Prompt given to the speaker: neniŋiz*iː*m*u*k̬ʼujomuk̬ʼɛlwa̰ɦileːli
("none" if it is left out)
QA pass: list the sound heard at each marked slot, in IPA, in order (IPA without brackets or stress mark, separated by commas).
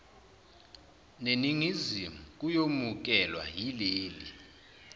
i, u